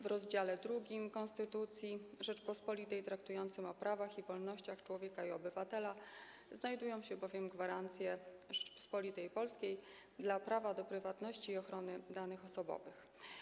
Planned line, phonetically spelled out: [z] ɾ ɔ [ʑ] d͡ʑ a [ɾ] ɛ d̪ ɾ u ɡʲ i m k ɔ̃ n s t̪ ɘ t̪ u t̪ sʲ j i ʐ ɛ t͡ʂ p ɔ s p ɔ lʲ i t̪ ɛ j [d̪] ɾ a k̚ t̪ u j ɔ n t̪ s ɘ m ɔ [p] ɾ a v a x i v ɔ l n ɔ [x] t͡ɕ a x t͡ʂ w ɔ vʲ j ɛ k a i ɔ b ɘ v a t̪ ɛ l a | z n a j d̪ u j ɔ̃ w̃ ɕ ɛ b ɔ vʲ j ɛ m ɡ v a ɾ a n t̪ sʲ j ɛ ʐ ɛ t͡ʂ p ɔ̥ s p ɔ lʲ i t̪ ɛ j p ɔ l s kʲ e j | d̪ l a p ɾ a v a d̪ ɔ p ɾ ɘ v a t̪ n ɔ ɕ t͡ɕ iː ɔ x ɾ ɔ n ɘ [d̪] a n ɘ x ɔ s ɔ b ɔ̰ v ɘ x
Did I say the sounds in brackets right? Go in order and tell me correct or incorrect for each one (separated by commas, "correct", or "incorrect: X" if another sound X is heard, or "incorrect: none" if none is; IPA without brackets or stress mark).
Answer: incorrect: v, incorrect: z, incorrect: l, incorrect: t̪, correct, incorrect: ɕ, correct